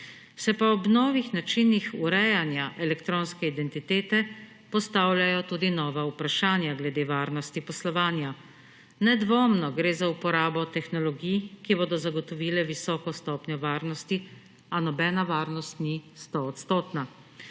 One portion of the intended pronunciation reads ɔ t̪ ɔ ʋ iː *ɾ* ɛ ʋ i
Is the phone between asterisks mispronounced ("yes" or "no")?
yes